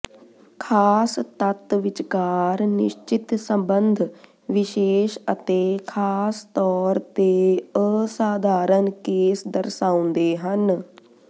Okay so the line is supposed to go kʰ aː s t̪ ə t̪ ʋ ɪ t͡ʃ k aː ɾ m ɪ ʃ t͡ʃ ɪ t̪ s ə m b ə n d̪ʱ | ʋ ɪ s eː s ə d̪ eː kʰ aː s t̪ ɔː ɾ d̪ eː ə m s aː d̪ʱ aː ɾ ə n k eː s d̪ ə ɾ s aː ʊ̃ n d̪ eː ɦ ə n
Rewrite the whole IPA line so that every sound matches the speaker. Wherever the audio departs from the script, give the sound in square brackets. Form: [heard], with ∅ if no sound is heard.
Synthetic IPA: kʰ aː s t̪ ə t̪ ʋ ɪ t͡ʃ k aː ɾ [n] ɪ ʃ t͡ʃ ɪ t̪ s ə m b ə n d̪ʱ | ʋ ɪ [ʃ] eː [ʃ] ə [t̪] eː kʰ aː s t̪ ɔː ɾ [t̪] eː ə [∅] s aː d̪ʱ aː ɾ ə n k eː s d̪ ə ɾ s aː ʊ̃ n d̪ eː ɦ ə n